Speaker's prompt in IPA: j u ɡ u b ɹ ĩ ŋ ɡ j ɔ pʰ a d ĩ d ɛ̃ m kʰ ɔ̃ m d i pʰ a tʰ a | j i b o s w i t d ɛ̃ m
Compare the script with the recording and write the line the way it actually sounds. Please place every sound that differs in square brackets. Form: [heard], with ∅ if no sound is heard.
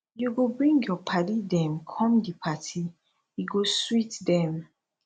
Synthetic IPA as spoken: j u ɡ [o] b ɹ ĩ ŋ ɡ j ɔ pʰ a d [i] d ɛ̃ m kʰ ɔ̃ m d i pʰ a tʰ [i] | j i [ɡ] o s w i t d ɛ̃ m